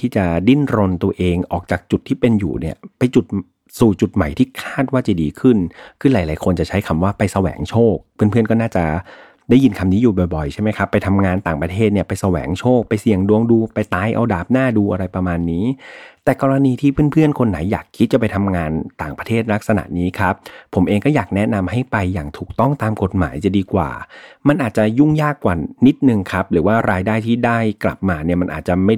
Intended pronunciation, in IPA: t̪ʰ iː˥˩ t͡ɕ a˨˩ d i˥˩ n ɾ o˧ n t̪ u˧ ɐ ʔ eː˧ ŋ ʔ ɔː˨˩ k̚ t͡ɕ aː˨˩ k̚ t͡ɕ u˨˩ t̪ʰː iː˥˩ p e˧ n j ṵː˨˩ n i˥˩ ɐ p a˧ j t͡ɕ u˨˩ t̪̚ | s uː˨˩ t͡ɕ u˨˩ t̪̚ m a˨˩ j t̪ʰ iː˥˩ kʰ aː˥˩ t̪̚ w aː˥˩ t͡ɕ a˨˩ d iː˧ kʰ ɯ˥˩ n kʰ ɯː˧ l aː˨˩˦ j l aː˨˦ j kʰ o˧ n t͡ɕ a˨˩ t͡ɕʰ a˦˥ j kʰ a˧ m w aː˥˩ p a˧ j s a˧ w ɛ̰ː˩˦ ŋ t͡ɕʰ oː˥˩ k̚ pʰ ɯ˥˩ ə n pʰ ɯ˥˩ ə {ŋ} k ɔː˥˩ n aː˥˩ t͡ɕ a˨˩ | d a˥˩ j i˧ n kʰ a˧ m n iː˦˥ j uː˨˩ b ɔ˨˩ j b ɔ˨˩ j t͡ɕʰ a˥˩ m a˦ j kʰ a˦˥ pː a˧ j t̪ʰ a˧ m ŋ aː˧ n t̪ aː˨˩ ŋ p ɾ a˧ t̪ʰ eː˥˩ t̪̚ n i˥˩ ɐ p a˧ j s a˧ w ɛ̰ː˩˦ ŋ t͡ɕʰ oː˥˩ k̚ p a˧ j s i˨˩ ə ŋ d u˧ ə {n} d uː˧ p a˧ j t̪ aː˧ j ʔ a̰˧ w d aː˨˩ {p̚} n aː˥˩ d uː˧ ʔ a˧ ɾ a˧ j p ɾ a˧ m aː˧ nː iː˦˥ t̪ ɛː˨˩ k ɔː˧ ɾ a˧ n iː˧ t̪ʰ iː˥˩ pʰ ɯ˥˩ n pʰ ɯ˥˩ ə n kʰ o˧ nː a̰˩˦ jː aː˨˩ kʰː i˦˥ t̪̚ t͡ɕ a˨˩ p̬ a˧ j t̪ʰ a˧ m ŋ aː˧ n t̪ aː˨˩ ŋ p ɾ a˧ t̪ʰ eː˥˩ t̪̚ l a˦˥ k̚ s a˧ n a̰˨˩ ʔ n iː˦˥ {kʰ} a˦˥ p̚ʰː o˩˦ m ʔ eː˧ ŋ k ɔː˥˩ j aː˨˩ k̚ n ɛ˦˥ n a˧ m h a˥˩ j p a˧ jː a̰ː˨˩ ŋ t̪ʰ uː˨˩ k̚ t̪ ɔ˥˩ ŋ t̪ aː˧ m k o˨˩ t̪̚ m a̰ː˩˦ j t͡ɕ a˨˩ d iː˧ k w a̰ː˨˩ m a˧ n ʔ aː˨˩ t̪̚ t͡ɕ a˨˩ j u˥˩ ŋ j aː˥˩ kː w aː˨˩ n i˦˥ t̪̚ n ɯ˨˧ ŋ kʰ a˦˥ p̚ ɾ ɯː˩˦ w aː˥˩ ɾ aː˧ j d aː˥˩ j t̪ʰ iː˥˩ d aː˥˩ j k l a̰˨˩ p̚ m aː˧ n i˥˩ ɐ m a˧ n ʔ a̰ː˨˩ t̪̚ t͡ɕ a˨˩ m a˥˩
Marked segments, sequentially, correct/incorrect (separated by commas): incorrect, incorrect, correct, correct